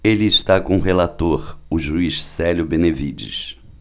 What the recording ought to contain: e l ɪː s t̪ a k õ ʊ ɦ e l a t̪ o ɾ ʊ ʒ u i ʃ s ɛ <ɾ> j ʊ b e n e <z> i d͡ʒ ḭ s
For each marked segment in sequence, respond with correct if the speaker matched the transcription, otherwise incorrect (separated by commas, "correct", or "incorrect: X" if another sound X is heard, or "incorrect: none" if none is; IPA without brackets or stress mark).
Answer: incorrect: l, incorrect: v